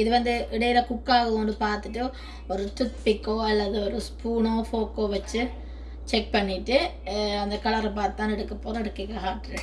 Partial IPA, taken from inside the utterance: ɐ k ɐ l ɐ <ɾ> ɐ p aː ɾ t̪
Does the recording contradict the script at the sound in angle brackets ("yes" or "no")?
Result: no